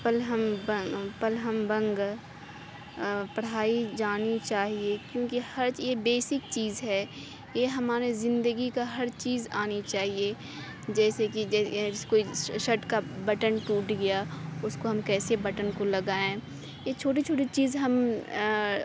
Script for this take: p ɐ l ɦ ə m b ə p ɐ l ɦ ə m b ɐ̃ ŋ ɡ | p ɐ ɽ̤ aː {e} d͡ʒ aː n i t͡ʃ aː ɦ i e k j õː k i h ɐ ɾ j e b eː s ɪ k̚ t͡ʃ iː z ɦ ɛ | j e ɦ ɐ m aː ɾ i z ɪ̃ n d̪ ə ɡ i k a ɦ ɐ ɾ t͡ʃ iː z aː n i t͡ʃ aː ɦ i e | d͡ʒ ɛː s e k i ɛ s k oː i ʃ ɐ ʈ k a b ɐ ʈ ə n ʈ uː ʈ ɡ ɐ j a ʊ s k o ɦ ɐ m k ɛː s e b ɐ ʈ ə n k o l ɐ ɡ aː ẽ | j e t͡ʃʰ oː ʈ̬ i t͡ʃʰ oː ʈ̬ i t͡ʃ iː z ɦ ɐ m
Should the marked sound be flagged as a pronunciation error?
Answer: yes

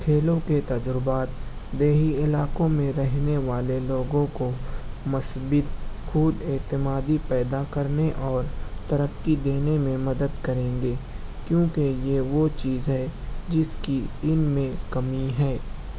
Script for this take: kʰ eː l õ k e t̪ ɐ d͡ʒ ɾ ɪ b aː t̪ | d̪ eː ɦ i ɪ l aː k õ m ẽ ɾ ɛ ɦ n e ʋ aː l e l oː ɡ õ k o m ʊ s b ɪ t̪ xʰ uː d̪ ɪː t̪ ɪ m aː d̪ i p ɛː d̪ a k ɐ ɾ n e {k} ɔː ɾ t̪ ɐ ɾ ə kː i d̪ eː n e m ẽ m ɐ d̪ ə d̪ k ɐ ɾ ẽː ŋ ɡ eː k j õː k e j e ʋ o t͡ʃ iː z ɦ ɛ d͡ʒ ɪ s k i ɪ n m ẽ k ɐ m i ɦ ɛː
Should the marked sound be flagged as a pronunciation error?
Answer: yes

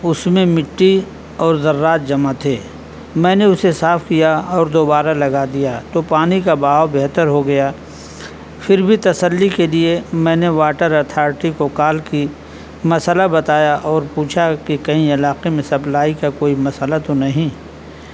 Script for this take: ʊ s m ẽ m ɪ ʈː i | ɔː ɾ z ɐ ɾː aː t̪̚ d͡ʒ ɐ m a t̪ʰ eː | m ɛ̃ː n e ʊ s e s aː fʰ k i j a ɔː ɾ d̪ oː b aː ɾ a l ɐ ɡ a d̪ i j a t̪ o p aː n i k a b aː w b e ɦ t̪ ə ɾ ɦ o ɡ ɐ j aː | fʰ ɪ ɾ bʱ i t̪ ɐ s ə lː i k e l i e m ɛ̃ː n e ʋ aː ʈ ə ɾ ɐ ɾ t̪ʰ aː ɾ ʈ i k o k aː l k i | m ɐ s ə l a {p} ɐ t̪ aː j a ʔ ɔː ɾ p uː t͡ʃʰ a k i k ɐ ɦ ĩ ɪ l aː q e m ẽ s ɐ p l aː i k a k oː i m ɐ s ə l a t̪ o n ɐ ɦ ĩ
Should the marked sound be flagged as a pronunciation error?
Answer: yes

